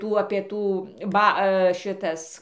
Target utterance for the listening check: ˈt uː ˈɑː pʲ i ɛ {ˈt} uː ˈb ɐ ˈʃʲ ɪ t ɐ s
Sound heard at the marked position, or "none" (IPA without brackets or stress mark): t